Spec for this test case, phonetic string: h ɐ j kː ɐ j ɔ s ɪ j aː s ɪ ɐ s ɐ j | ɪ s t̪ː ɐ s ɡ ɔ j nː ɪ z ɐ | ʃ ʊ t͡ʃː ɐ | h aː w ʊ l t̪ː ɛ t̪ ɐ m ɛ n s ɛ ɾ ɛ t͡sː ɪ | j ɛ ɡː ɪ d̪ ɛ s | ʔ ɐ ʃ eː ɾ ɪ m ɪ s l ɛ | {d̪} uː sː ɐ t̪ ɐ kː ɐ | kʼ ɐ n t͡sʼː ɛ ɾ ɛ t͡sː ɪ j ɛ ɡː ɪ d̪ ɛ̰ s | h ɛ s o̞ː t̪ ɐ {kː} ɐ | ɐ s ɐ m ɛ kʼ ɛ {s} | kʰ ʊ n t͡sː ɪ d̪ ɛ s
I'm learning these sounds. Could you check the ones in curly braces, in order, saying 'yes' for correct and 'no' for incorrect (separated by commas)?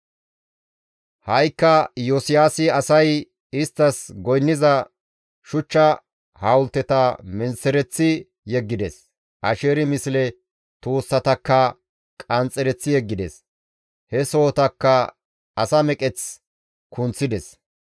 no, yes, no